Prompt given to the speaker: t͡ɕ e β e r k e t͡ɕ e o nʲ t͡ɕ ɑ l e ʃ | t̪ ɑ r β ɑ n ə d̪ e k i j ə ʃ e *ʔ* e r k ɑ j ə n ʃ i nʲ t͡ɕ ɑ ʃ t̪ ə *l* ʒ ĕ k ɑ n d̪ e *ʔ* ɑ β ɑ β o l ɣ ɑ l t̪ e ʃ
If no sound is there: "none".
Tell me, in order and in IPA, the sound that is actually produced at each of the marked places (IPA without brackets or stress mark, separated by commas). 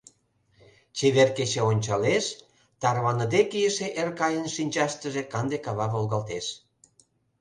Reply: ʔ, none, k